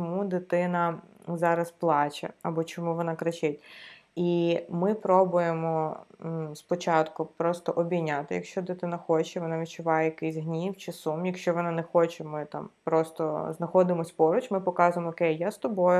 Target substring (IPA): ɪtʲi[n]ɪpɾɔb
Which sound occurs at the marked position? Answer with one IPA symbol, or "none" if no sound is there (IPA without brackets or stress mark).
m